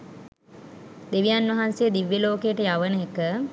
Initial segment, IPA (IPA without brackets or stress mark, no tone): d̪